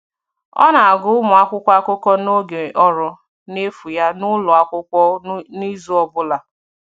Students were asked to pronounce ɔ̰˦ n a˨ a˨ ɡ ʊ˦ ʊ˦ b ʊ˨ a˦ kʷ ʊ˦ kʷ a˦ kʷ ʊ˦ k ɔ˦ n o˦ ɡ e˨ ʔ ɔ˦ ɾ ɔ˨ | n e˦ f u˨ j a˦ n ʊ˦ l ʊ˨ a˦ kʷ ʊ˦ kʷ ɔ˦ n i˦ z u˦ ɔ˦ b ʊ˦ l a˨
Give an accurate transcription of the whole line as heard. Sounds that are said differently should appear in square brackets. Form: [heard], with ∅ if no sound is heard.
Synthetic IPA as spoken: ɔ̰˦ n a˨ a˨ ɡ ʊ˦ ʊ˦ [m] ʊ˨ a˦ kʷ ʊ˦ kʷ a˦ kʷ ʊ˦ k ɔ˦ n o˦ ɡ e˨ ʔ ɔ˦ ɾ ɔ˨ | n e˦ f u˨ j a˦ n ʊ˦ l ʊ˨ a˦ kʷ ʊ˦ kʷ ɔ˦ n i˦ z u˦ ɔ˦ b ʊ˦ l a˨